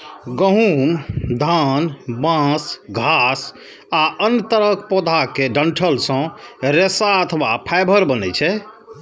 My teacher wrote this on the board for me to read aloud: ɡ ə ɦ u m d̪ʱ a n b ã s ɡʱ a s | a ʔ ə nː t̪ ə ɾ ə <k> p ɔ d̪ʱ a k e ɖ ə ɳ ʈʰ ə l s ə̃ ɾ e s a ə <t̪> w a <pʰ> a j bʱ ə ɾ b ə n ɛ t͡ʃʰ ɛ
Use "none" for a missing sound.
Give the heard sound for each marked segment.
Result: k, t̪ʰ, pʰ

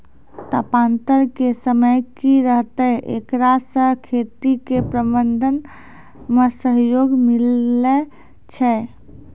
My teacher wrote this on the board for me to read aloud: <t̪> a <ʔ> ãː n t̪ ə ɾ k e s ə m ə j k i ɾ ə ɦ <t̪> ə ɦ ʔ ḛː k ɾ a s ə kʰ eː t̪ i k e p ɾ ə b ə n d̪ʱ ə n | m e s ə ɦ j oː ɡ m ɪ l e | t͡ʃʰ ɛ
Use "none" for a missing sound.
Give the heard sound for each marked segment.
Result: t̪, p, t̪

